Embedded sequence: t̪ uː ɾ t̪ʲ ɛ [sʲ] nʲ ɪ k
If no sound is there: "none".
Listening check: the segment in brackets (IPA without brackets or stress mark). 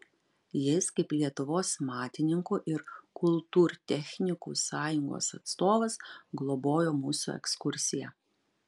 xʲ